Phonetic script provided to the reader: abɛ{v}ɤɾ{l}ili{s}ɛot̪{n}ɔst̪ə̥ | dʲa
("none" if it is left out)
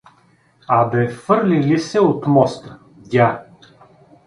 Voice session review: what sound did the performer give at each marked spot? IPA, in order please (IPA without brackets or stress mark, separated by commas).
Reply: f, l, s, m